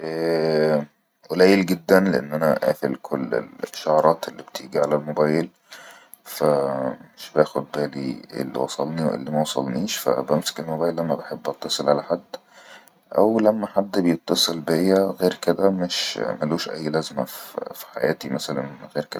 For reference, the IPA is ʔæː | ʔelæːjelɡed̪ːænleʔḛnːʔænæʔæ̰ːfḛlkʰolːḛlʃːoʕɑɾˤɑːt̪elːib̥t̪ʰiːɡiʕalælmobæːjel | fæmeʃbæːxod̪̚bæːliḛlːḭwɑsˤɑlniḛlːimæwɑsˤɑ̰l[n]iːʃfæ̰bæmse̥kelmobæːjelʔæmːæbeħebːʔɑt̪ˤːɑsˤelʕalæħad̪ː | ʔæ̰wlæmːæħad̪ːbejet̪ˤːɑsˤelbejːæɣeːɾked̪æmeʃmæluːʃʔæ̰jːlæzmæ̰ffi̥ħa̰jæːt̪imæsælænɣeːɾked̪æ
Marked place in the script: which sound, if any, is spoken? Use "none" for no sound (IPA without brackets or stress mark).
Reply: n